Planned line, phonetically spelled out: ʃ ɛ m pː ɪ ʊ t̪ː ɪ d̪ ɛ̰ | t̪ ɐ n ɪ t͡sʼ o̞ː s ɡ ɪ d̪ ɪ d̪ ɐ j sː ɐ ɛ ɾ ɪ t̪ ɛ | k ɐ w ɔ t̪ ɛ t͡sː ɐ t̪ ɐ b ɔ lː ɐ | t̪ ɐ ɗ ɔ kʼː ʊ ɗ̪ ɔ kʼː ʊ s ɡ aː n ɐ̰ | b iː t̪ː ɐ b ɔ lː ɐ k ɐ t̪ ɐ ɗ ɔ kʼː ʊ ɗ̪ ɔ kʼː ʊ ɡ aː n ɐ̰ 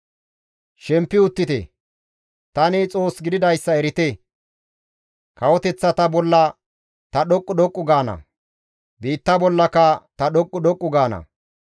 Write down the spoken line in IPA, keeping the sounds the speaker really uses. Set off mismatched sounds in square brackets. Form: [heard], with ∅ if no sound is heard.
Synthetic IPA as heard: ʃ ɛ m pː ɪ ʊ t̪ː ɪ [t̪] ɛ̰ | t̪ ɐ n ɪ t͡sʼ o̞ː s ɡ ɪ d̪ ɪ d̪ ɐ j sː ɐ ɛ ɾ ɪ t̪ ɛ | k ɐ w ɔ t̪ ɛ t͡sː ɐ t̪ ɐ b ɔ lː ɐ | t̪ ɐ ɗ ɔ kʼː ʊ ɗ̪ ɔ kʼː ʊ [∅] ɡ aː n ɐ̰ | b iː t̪ː ɐ b ɔ lː ɐ k ɐ t̪ ɐ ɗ ɔ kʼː ʊ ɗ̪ ɔ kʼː ʊ ɡ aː n ɐ̰